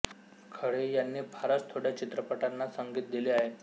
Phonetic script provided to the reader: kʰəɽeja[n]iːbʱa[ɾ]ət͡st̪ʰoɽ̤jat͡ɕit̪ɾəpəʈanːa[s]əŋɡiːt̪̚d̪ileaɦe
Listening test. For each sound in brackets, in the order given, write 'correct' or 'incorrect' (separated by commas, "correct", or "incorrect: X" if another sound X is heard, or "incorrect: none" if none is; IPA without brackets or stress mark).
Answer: incorrect: nː, correct, correct